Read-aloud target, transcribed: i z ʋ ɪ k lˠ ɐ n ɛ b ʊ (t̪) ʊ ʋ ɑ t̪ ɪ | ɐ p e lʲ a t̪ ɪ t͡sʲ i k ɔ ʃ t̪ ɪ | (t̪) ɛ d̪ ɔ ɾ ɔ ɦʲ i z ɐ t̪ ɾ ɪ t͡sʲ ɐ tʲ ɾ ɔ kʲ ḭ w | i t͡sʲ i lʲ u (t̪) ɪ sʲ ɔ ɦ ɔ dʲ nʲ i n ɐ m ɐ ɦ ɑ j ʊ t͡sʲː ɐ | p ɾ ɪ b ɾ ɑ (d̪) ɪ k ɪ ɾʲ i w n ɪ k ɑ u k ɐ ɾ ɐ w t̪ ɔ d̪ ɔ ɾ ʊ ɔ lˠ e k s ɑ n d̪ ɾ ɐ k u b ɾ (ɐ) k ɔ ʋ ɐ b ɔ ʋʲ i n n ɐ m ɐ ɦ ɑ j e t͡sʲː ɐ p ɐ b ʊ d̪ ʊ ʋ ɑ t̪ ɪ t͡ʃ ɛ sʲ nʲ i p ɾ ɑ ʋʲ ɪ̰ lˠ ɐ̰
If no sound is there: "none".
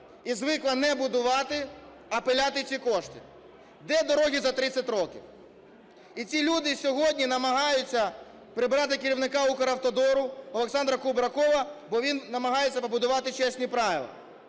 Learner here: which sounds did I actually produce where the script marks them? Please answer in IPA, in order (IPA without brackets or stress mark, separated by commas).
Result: d̪, d̪, d̪, t̪, ɐ